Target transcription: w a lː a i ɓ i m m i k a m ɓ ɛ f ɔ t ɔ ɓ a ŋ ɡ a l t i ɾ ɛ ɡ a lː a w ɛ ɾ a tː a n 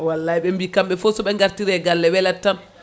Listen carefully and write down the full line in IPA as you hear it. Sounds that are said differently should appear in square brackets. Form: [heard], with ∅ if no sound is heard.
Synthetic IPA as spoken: w a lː a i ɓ [ɛ] m [b] i k a m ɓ ɛ f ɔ [s] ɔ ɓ [ɛ] ŋ ɡ a [ɾ] t i ɾ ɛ ɡ a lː [ɛ] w ɛ [l] a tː a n